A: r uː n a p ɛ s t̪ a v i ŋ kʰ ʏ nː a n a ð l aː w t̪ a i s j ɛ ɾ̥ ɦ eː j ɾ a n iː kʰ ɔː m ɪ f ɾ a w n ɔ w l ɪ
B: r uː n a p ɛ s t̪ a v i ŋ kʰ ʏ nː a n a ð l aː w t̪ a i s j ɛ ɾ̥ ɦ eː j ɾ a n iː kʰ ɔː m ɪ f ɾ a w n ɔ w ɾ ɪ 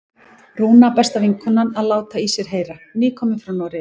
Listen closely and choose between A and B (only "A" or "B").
B